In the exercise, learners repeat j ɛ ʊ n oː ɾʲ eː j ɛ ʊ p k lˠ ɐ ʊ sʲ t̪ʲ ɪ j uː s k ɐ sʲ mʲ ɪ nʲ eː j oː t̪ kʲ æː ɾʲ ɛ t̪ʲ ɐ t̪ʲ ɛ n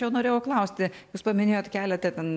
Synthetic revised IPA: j ɛ ʊ n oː ɾʲ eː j ɛ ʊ k lˠ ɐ ʊ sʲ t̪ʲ ɪ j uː s p ɐ mʲ ɪ nʲ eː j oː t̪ kʲ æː lʲ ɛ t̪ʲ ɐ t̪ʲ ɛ n